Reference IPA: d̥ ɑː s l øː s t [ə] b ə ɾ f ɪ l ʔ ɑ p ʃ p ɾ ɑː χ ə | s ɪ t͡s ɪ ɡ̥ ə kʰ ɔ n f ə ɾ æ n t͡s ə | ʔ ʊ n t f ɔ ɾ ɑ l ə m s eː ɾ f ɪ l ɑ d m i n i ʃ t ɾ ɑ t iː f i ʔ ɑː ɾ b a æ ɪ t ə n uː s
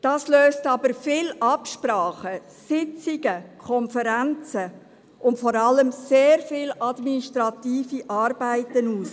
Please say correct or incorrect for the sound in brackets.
incorrect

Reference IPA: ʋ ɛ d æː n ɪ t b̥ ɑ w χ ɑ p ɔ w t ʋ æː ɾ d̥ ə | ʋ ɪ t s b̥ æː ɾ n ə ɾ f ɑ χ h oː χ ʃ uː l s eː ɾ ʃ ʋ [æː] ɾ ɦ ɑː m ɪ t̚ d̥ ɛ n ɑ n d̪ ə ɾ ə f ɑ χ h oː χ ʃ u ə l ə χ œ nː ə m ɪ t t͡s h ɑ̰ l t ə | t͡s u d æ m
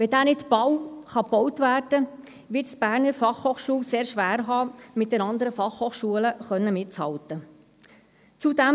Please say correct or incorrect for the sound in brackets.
correct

